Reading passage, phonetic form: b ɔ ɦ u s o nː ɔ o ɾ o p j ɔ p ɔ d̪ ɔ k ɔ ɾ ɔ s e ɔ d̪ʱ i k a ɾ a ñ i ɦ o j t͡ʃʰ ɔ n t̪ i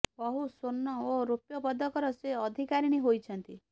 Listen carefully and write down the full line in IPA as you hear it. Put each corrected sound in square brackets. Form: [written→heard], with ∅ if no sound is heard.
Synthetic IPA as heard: b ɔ ɦ u s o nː ɔ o ɾ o p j ɔ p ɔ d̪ ɔ k ɔ ɾ ɔ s e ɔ d̪ʱ i k a ɾ [a→i] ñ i ɦ o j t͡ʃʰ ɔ n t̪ i

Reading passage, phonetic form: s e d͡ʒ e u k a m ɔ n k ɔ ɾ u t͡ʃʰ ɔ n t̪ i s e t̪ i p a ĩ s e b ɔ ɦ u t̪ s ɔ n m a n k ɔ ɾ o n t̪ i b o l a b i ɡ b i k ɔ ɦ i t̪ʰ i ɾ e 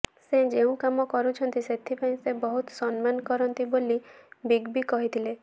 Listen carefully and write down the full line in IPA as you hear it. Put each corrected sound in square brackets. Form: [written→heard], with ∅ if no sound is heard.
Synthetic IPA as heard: s e d͡ʒ e [u→ũ] k a m ɔ [n→∅] k ɔ ɾ u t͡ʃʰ ɔ n t̪ i s e [t̪→t̪ʰ] i p a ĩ s e b ɔ ɦ u t̪ s ɔ n m a n k ɔ ɾ [o→ɔ] n t̪ i b o l [a→i] b i ɡ b i k ɔ ɦ i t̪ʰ i [ɾ→l] e

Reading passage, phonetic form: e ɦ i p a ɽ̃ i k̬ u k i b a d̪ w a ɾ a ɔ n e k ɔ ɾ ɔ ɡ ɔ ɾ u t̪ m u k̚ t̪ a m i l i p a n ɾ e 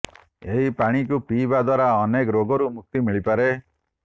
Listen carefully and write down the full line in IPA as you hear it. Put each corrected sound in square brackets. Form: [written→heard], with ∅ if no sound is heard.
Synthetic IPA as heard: e ɦ i p a ɽ̃ i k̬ u [k→p] i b a d̪ w a ɾ a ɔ n e k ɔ ɾ [ɔ→o] ɡ ɔ ɾ u [t̪→∅] m u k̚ t̪ [a→i] m i [l→ɭ] i p a [n→∅] ɾ e

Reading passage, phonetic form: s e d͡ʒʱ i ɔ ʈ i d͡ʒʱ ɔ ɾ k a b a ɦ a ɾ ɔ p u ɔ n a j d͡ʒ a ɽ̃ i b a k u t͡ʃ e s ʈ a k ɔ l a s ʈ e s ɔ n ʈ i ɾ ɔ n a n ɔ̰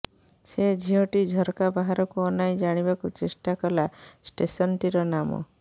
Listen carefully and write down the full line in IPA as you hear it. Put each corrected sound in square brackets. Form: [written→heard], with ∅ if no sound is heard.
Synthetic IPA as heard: s e d͡ʒʱ i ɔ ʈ i d͡ʒʱ ɔ ɾ k a b a ɦ a ɾ ɔ [p→k] u ɔ n a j d͡ʒ a ɽ̃ i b a k u t͡ʃ e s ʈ a k ɔ l a s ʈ e s ɔ n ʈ i ɾ ɔ n a [n→m] ɔ̰

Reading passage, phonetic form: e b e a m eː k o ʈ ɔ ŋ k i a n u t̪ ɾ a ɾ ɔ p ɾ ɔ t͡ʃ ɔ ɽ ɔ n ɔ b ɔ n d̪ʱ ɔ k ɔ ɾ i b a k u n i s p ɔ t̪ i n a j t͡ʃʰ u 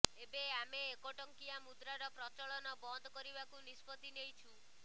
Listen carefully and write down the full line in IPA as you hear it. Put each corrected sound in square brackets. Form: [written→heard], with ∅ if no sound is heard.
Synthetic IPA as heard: e b e a m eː k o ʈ ɔ ŋ k i a [n→m] u [t̪→d̪] ɾ a ɾ ɔ p ɾ ɔ t͡ʃ ɔ [ɽ→ɭ] ɔ n ɔ b ɔ n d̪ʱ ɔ k ɔ ɾ i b a k u n i s p ɔ t̪ i n [a→e] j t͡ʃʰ u

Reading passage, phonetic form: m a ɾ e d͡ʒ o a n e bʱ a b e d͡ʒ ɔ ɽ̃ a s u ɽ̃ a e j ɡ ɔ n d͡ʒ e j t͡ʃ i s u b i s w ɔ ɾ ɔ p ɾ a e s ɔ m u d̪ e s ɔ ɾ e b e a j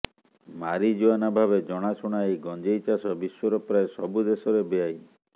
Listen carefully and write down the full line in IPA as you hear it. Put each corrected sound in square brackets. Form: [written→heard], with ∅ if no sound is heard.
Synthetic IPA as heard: m a ɾ [e→i] d͡ʒ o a n [e→a] bʱ a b e d͡ʒ ɔ ɽ̃ a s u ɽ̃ a e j ɡ ɔ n d͡ʒ e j t͡ʃ [i→a] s [u→ɔ] b i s w ɔ ɾ ɔ p ɾ a e s ɔ [m→b] u d̪ e s ɔ ɾ e b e a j

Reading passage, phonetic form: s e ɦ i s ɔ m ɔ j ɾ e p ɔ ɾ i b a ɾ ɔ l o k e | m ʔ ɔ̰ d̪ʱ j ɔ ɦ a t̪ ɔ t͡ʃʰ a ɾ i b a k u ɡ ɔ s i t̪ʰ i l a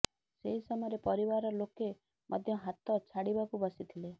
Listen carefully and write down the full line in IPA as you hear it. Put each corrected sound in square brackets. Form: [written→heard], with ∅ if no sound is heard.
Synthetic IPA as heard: s e ɦ i s ɔ m ɔ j ɾ e p ɔ ɾ i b a ɾ ɔ l o k e | m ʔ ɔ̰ d̪ʱ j ɔ ɦ a t̪ ɔ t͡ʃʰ a [ɾ→ɽ] i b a k u [ɡ→b] ɔ s i t̪ʰ i l [a→e]

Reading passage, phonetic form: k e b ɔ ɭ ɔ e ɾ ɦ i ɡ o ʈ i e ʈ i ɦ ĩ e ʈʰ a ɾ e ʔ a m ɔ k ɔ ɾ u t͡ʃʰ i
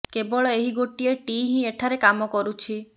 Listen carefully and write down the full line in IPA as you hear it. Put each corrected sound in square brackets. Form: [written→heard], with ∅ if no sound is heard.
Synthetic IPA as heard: k e b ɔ ɭ ɔ e [ɾ→∅] ɦ i ɡ o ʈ i e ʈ i ɦ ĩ e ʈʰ a ɾ e [ʔ→k] a m ɔ k ɔ ɾ u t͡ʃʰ i

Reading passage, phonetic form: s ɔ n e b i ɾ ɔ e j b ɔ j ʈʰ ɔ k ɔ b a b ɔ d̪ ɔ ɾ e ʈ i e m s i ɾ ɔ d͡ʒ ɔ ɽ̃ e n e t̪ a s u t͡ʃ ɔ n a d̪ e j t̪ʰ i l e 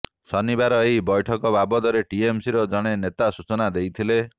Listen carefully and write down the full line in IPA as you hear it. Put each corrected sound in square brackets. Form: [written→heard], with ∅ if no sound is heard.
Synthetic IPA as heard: s ɔ n [e→i] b [i→a] ɾ ɔ e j b ɔ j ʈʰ ɔ k ɔ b a b ɔ d̪ ɔ ɾ e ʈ i e m s i ɾ ɔ d͡ʒ ɔ ɽ̃ e n e t̪ a s u t͡ʃ ɔ n a d̪ e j t̪ʰ i l e

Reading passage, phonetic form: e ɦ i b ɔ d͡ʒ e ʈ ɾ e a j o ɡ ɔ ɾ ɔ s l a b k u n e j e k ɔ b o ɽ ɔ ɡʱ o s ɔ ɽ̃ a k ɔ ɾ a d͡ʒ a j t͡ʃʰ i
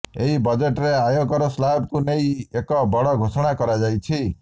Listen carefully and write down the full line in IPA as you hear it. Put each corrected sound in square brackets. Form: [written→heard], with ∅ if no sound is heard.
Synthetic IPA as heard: e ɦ i b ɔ d͡ʒ e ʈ ɾ e a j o ɡ ɔ ɾ ɔ s l a b k u n e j e k ɔ b [o→ɔ] ɽ ɔ ɡʱ o s ɔ ɽ̃ a k ɔ ɾ a d͡ʒ a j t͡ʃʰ i

